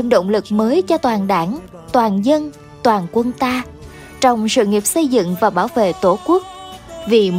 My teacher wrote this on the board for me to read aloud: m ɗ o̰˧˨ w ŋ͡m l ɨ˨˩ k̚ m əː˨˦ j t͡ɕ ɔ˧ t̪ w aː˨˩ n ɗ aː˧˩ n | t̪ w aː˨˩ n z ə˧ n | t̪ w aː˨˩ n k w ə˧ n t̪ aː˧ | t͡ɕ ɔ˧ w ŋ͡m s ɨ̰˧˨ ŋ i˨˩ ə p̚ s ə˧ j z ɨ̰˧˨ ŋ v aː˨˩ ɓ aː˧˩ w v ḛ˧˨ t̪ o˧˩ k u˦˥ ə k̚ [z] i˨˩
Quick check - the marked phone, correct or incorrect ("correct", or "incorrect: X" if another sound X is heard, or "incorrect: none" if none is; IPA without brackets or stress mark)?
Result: incorrect: v